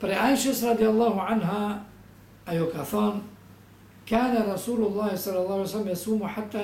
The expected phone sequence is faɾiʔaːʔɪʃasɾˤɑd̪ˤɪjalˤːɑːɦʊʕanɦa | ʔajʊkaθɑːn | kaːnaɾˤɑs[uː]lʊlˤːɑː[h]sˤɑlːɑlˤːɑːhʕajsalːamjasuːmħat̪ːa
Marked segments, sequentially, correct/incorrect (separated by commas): correct, correct